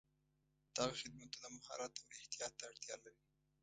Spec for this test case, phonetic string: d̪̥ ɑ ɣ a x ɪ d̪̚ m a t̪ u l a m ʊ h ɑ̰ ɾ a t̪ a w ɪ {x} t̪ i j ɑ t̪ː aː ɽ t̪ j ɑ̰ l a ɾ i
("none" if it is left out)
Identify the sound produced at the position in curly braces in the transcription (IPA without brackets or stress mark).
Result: h